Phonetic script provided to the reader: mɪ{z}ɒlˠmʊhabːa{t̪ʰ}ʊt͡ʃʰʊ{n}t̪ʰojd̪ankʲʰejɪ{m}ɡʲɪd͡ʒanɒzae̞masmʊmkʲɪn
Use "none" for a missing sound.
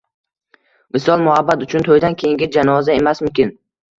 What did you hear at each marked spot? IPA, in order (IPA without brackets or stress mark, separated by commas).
s, t̪, n, ŋ